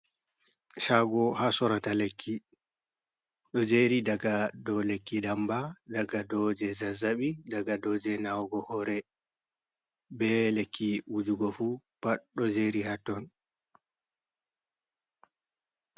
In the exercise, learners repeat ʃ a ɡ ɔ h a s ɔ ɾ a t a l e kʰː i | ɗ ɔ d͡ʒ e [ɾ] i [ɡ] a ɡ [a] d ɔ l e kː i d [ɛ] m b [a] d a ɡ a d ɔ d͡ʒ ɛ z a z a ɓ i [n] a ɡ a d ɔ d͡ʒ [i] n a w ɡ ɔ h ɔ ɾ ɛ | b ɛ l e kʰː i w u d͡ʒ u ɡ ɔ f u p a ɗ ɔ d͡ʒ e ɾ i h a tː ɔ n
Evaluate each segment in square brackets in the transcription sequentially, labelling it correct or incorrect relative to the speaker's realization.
correct, incorrect, correct, incorrect, correct, incorrect, incorrect

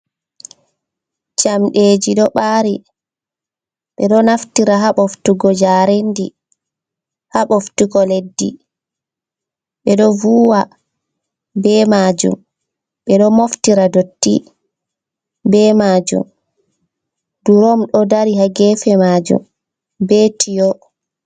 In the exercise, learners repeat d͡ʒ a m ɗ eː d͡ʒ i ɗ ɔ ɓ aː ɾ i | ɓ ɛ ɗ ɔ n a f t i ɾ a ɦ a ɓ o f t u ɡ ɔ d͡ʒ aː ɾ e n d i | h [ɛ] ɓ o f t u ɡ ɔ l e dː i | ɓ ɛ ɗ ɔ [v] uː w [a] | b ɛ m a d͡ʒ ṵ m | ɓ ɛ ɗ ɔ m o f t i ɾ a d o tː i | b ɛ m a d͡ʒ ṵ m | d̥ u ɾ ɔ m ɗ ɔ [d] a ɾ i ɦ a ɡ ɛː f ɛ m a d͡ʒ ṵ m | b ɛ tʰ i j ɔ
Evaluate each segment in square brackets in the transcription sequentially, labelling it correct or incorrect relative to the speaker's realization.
incorrect, correct, correct, correct

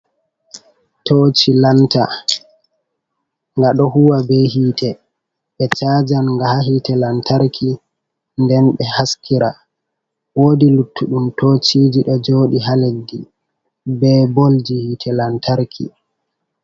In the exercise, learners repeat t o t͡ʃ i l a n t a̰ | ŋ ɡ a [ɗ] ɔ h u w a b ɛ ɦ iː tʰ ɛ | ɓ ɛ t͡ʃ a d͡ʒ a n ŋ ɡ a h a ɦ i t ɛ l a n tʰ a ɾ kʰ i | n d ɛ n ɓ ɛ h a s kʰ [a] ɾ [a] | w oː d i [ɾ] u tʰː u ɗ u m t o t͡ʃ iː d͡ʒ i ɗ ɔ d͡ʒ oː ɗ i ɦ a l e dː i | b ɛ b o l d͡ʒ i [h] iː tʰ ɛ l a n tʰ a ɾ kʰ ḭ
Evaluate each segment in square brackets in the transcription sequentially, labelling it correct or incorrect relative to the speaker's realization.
correct, incorrect, correct, incorrect, correct

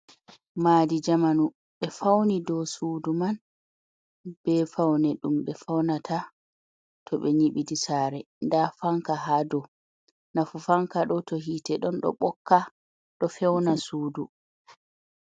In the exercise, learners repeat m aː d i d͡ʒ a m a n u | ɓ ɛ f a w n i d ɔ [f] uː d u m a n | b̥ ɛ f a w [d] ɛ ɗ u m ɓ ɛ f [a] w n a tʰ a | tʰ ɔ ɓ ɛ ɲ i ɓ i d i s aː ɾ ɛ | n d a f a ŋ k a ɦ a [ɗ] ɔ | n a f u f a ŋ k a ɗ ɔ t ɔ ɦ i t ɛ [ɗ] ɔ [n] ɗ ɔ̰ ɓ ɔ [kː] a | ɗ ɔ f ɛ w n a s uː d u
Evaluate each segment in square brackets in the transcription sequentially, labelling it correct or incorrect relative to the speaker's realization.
incorrect, incorrect, correct, incorrect, correct, correct, correct

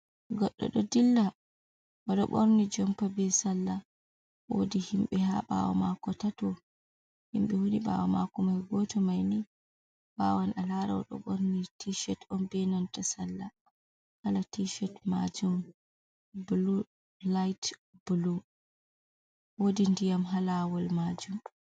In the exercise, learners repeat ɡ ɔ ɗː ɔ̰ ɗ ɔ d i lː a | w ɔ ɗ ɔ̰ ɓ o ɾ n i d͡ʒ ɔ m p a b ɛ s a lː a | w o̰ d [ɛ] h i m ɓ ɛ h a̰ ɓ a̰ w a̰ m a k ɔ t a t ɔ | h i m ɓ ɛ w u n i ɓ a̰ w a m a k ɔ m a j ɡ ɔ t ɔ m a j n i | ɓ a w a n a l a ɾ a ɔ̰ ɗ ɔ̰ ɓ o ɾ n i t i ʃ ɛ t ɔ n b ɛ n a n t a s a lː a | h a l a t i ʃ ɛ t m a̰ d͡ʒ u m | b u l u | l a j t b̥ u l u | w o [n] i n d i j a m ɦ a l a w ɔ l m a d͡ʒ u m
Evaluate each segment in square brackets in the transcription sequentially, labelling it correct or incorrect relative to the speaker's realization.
incorrect, incorrect

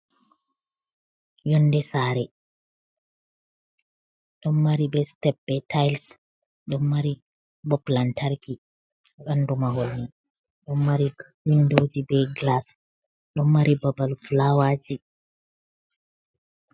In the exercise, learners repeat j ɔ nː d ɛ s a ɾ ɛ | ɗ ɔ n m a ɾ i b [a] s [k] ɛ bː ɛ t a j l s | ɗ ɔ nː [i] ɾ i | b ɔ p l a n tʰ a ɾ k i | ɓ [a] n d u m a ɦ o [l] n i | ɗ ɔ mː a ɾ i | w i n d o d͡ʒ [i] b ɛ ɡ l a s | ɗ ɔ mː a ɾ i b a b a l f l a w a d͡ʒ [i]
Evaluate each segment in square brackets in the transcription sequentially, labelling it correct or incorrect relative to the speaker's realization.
incorrect, incorrect, incorrect, correct, correct, correct, correct

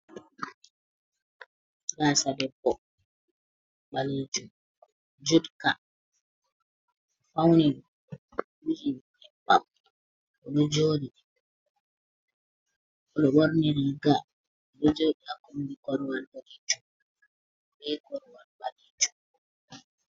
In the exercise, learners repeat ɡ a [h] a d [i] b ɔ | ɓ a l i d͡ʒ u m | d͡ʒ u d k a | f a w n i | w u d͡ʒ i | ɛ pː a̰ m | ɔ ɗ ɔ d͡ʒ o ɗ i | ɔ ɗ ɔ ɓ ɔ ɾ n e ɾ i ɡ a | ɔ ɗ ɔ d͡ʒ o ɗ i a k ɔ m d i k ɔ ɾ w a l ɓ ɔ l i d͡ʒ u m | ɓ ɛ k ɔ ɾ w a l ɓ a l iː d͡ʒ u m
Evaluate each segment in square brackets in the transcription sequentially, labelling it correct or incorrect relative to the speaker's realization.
incorrect, incorrect

